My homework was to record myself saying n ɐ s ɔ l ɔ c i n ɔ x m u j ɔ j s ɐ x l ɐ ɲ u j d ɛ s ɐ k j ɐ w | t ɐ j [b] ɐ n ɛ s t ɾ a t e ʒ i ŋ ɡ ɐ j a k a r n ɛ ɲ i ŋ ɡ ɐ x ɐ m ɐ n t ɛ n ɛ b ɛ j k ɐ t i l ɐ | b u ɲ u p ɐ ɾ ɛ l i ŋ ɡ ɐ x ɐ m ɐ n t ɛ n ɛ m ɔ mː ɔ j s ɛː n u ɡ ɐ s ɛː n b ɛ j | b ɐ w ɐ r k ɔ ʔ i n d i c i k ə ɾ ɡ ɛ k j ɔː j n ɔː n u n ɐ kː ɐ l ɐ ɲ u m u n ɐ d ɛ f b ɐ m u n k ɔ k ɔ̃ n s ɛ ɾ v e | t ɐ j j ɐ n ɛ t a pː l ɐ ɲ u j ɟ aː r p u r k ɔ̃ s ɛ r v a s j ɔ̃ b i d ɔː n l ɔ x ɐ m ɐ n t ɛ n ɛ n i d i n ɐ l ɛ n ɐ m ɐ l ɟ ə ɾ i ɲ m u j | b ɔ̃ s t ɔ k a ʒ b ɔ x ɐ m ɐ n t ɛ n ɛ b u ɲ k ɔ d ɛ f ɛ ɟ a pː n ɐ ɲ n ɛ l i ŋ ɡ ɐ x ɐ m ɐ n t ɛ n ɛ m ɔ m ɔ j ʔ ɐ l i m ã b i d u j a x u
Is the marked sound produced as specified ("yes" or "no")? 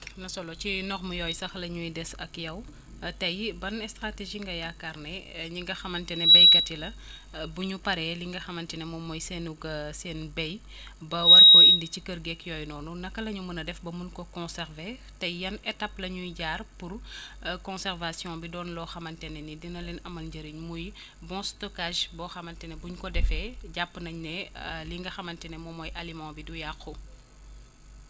yes